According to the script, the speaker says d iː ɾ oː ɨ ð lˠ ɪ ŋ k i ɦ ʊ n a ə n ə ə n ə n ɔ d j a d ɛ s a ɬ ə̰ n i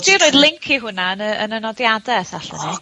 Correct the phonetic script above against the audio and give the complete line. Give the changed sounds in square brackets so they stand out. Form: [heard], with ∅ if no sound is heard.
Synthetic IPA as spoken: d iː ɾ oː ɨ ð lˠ ɪ ŋ [kʰ] i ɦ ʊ n a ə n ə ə n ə n ɔ d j a d ɛ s a ɬ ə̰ n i

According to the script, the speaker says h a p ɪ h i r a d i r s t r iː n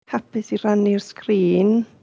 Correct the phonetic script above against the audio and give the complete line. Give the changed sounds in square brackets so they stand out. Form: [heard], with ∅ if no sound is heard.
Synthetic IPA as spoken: h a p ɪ [s] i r a [n] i r s [k] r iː n

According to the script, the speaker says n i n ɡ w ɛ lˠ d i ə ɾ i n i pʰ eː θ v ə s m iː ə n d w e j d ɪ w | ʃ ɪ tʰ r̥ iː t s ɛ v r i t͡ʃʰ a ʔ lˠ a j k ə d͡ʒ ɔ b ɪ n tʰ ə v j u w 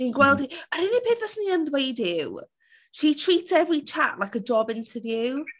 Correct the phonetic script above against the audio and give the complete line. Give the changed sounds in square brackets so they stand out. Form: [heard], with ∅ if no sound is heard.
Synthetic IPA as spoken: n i n ɡ w ɛ lˠ d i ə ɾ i n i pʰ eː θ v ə s [n] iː ə n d w e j d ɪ w | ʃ [i] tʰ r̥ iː t s ɛ v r i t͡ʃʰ a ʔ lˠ a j k ə d͡ʒ ɔ b ɪ n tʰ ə v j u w

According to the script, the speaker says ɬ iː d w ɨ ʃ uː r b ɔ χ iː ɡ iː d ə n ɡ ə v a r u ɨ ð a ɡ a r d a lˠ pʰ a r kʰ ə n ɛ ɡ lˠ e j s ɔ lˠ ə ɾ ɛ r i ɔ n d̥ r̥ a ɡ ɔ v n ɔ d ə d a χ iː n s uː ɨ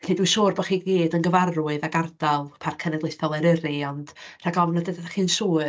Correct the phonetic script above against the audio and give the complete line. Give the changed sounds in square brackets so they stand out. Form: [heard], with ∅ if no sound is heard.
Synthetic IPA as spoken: ɬ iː d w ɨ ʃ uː r b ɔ χ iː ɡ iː d ə n ɡ ə v a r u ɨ ð a ɡ a r d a lˠ pʰ a r kʰ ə n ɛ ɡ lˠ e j [θ] ɔ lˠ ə ɾ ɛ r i ɔ n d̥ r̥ a ɡ ɔ v n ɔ d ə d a χ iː n s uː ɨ

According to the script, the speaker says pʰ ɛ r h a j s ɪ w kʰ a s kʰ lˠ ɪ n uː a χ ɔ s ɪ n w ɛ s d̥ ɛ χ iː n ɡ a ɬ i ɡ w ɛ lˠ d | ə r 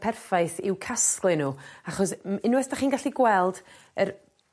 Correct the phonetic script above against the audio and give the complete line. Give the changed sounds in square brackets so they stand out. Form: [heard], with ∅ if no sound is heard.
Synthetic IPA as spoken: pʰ ɛ r [f] a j [θ] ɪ w kʰ a s [k] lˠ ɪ n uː a χ ɔ s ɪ n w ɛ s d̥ [a] χ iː n ɡ a ɬ i ɡ w ɛ lˠ d | ə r

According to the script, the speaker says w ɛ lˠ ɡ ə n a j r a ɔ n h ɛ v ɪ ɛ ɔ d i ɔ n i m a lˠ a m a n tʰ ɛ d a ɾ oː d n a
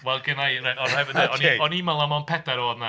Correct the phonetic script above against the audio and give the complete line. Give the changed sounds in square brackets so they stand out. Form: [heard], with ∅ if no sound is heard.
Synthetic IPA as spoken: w ɛ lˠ ɡ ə n a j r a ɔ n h ɛ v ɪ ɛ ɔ [n] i ɔ n i m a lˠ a m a n [pʰ] ɛ d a ɾ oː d n a

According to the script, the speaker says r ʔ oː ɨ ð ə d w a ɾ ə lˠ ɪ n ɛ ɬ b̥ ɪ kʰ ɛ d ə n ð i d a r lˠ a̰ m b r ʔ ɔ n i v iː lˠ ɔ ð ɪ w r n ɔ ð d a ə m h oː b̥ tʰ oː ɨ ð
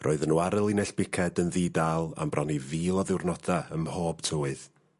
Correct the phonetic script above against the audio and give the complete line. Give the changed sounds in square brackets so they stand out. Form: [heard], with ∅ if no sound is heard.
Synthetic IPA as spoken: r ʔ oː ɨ ð ə [n] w a ɾ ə lˠ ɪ n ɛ ɬ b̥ ɪ kʰ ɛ d ə n ð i d a [∅] lˠ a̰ m b r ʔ ɔ n i v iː lˠ ɔ ð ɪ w r n ɔ [∅] d a ə m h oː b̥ tʰ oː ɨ ð

